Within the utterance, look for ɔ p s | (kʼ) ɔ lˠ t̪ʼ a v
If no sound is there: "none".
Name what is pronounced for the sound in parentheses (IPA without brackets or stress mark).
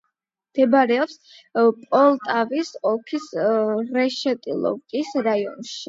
pʼ